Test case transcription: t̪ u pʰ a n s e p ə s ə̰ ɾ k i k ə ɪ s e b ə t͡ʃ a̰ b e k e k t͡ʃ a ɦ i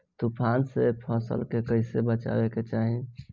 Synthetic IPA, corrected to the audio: t̪ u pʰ a n s e pʰ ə s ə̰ l k e k ə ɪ s e b ə t͡ʃ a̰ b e k e t͡ʃ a ɦ i